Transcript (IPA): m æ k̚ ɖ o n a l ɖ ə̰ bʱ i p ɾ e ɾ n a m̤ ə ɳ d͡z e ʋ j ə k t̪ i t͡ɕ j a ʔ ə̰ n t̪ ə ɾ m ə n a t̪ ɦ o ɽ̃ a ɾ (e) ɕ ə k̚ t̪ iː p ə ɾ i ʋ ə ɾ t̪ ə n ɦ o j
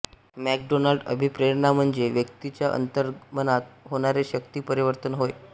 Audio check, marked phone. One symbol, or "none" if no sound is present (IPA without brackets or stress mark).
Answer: e